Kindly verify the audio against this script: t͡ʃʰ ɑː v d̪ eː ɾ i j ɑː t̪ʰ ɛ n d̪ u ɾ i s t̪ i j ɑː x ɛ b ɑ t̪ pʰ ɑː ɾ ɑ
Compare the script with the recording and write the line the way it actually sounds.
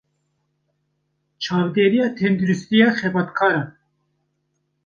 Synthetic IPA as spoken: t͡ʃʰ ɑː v d̪ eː ɾ i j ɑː t̪ʰ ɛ n d̪ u ɾ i s t̪ i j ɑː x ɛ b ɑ t̪ kʰ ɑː ɾ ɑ